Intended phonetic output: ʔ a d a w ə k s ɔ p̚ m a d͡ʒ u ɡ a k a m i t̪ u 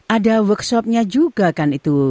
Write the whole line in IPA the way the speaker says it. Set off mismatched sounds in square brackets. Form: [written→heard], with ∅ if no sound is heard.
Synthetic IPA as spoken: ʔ a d a w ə k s ɔ p̚ [m→ɲ] a d͡ʒ u ɡ a k a [m→n] i t̪ u